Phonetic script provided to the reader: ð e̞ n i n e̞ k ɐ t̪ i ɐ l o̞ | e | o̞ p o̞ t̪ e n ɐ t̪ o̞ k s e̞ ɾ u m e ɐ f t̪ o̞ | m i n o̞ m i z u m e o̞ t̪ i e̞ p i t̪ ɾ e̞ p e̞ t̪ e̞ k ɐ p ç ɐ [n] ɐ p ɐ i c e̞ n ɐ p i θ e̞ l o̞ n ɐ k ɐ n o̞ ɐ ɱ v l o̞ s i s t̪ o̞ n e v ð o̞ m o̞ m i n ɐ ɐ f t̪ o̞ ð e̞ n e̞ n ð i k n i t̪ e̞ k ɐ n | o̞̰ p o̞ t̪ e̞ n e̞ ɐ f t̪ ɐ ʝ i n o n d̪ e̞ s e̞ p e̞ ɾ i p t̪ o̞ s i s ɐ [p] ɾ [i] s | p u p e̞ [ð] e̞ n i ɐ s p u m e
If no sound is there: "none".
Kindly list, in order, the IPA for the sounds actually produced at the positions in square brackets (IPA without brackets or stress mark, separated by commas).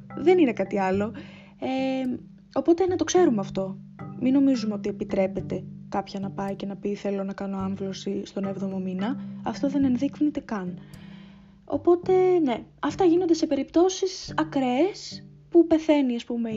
n, k, e, θ